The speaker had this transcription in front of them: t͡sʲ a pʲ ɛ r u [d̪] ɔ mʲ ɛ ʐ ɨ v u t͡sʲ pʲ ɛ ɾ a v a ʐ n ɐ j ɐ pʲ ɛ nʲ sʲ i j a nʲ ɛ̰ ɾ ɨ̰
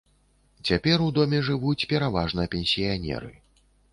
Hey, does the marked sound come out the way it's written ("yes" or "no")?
yes